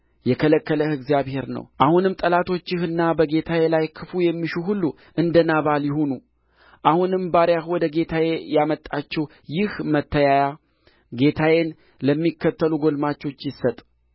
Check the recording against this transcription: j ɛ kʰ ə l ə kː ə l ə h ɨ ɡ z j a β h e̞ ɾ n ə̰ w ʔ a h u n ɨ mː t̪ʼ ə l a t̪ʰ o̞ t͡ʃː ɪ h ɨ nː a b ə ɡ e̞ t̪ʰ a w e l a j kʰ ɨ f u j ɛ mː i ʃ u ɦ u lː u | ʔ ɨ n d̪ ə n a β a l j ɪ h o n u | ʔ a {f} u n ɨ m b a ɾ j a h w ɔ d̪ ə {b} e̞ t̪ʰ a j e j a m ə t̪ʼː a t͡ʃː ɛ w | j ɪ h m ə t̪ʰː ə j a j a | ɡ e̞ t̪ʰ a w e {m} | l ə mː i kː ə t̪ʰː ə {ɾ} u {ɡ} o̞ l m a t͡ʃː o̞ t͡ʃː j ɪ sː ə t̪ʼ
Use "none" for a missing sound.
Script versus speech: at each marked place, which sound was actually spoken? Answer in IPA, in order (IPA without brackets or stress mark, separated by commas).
h, ɡ, n, l, ɡ